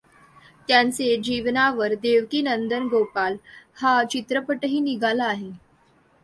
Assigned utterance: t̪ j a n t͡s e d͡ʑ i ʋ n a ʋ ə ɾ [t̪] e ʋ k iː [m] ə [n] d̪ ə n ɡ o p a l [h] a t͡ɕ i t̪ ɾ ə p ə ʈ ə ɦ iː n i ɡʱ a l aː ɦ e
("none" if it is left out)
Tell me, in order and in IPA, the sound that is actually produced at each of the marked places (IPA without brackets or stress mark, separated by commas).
d̪, n, n, h